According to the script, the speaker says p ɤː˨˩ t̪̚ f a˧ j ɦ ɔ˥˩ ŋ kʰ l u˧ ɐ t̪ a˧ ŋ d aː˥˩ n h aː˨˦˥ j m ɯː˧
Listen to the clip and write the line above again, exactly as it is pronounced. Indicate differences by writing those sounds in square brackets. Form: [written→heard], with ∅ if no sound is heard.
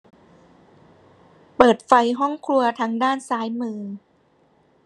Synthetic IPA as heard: p ɤː˨˩ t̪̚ f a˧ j ɦ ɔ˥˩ ŋ kʰ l u˧ ɐ [t̪→t̪ʰ] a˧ ŋ d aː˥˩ n [h→s] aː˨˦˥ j m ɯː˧

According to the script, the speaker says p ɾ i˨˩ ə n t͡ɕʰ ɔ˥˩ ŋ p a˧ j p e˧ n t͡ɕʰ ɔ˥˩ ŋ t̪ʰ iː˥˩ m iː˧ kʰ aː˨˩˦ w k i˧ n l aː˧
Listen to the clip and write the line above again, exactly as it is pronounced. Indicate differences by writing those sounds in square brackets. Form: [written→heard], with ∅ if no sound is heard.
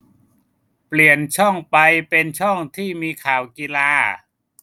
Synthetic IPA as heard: p [ɾ→l] i˨˩ ə n t͡ɕʰ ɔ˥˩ ŋ p a˧ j p e˧ n t͡ɕʰ ɔ˥˩ ŋ t̪ʰ iː˥˩ m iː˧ kʰ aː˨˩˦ w k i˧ [n→∅] l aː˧

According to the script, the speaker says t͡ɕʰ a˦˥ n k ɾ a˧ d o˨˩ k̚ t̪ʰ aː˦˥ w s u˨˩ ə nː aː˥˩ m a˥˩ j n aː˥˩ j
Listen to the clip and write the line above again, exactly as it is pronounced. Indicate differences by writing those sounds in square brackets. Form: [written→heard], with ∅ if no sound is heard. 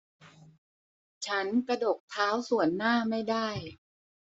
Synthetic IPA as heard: t͡ɕʰ a˦˥ n k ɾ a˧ d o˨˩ k̚ t̪ʰ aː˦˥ w s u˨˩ ə nː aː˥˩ m a˥˩ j [n→d] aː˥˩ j

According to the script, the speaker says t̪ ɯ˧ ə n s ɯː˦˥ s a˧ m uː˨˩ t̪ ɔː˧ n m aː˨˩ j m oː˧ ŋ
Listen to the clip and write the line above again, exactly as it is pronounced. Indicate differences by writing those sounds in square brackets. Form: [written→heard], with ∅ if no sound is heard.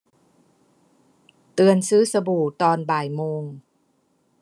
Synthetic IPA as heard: t̪ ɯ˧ ə n s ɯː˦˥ s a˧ [m→b] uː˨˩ t̪ ɔː˧ n [m→b] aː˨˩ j m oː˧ ŋ

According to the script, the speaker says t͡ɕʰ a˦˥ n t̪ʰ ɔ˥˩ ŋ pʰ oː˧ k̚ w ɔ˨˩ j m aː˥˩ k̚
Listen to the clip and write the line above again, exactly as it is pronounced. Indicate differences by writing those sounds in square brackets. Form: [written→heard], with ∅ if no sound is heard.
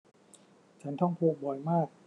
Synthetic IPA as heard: t͡ɕʰ a˦˥ n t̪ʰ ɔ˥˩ ŋ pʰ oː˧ k̚ [w→b] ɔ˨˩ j m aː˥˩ k̚

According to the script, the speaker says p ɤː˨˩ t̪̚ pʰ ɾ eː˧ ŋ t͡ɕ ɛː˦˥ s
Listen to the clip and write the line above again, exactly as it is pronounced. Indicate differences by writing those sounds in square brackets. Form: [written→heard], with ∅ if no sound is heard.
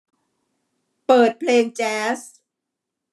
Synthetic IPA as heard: p ɤː˨˩ t̪̚ pʰ [ɾ→l] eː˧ ŋ t͡ɕ ɛː˦˥ s

